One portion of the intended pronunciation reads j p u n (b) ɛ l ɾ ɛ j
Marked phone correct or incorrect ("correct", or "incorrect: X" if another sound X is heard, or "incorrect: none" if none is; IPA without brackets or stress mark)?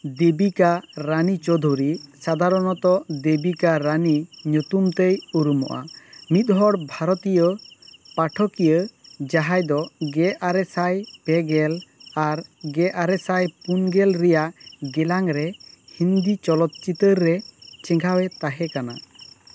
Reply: incorrect: ɡ